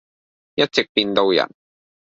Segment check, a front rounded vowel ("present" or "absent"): absent